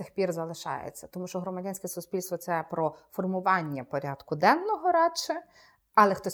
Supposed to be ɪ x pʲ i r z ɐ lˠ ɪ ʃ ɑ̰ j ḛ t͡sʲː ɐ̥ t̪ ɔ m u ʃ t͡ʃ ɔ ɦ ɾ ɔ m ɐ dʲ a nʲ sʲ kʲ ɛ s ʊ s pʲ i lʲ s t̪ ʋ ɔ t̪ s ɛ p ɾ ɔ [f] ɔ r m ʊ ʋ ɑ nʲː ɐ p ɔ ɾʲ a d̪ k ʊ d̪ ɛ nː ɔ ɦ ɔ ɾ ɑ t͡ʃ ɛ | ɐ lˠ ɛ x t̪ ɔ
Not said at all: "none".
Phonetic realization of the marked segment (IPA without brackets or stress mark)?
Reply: f